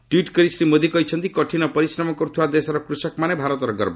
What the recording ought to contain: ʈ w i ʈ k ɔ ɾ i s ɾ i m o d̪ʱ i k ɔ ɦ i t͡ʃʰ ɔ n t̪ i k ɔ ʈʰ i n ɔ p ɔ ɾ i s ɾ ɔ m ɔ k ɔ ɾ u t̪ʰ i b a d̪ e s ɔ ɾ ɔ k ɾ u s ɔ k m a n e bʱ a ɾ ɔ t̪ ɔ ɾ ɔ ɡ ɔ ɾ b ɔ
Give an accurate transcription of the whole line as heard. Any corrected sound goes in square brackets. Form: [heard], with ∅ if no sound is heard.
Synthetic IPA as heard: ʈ w i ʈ k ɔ ɾ i s ɾ i m o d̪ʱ i k ɔ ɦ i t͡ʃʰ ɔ n t̪ i k ɔ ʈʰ i n ɔ p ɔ ɾ i s ɾ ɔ m ɔ k ɔ ɾ u t̪ʰ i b a d̪ e s ɔ ɾ ɔ k ɾ u s ɔ k m a n e bʱ a ɾ ɔ t̪ ɔ ɾ ɔ ɡ ɔ ɾ b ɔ

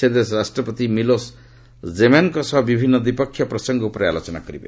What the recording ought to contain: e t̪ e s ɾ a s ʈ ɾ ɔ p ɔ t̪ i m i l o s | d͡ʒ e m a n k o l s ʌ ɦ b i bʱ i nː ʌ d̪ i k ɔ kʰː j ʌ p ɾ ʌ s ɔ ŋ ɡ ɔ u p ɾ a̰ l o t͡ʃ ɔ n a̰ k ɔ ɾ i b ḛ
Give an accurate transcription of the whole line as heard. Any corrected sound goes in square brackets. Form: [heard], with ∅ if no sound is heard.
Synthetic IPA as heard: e [d̪] e s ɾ a s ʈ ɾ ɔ p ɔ t̪ i m i l o s | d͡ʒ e m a n k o [∅] s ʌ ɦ b i bʱ i nː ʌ d̪ i [p] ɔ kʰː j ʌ p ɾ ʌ s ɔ ŋ ɡ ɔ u p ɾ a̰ l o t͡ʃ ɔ n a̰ k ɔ ɾ i b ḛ

